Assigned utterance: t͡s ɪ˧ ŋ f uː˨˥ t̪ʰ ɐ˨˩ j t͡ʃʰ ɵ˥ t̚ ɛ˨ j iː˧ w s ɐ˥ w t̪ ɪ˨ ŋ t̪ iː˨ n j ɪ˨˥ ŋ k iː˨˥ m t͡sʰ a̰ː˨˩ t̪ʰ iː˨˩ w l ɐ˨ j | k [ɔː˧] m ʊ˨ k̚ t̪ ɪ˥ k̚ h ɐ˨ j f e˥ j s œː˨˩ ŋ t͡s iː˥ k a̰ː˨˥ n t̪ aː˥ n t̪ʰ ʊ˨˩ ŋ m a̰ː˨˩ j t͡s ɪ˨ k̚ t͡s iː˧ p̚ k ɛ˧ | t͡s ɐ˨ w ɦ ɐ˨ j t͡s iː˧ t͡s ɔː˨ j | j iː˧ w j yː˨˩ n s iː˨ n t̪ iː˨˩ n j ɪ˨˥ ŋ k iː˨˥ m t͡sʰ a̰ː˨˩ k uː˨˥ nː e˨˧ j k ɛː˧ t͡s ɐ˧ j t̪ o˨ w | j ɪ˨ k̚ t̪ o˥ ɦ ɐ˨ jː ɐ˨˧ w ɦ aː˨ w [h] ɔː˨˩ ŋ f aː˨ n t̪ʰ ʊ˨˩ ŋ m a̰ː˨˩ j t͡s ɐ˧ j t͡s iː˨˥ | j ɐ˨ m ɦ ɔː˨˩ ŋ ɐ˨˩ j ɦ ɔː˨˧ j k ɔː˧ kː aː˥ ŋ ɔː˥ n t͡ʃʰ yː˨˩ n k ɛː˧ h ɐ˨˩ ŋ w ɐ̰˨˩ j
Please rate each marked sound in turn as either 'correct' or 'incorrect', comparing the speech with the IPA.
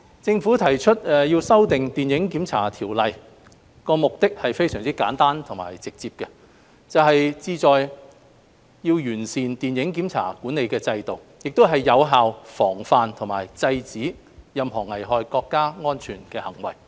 correct, incorrect: f

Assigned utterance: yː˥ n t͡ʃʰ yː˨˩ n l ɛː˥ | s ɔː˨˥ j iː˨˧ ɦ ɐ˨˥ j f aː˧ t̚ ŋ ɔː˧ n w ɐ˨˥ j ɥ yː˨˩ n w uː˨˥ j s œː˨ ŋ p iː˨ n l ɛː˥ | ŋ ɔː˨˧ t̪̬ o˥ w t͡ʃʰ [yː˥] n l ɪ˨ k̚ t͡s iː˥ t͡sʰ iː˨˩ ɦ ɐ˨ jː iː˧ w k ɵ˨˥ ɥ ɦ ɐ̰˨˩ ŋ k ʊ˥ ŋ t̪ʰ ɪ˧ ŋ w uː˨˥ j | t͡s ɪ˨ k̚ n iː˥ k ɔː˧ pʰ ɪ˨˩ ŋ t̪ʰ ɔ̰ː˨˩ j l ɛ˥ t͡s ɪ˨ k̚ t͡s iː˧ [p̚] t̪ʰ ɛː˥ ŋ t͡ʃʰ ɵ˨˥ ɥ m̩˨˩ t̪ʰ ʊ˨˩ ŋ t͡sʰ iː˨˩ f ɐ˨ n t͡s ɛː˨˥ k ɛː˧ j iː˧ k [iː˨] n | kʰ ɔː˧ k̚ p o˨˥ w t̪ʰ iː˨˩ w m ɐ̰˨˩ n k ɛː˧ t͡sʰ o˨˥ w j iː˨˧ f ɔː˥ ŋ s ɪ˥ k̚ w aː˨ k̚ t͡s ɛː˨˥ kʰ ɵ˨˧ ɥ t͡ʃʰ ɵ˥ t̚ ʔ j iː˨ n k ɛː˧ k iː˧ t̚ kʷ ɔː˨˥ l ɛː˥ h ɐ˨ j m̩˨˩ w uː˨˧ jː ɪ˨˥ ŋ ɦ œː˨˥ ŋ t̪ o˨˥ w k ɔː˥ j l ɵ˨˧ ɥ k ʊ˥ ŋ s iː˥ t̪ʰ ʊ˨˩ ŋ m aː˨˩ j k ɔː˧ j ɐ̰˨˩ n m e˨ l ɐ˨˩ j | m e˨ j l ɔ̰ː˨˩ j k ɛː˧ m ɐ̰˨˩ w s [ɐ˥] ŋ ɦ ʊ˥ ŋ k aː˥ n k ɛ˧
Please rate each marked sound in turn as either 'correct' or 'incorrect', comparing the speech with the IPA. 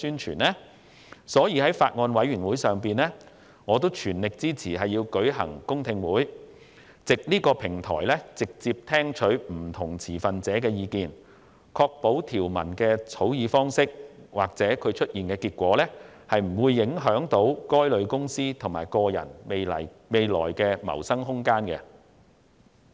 incorrect: yː˨˩, correct, correct, correct

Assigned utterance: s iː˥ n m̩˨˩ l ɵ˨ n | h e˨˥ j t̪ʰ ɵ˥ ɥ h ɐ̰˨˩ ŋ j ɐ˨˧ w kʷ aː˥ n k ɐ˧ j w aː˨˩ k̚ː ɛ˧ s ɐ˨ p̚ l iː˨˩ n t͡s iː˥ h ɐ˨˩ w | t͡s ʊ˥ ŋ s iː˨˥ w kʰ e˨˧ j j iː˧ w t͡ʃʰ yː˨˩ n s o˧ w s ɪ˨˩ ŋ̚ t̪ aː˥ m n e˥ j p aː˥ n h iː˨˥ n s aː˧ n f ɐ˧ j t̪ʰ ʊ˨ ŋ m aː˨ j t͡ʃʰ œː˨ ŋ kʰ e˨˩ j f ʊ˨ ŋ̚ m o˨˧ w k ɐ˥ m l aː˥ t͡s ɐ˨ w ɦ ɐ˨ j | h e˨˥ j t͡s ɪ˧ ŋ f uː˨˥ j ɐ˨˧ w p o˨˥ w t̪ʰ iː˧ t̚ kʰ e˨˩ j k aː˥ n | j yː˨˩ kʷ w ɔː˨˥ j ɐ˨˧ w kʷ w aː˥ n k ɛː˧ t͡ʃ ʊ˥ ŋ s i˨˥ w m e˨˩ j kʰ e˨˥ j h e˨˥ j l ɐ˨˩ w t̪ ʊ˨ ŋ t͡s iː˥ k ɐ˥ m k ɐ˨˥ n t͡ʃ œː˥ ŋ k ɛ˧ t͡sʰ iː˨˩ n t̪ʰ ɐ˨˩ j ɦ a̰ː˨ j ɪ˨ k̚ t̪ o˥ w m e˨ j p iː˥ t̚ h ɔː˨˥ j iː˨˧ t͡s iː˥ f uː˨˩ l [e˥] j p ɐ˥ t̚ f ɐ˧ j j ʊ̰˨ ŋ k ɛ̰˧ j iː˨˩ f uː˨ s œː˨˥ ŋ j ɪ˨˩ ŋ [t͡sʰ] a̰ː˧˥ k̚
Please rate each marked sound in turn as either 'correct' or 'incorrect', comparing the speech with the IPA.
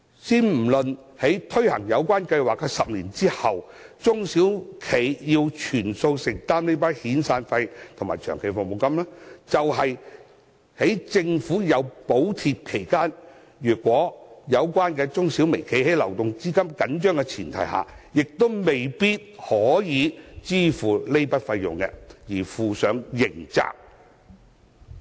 correct, incorrect: t͡s

